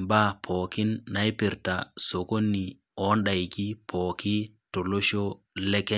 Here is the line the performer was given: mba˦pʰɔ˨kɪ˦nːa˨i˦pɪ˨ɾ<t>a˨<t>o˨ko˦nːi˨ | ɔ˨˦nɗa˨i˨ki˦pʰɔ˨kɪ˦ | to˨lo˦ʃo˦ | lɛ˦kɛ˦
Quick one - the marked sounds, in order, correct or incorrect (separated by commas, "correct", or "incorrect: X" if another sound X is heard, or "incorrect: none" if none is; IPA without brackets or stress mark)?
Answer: correct, incorrect: s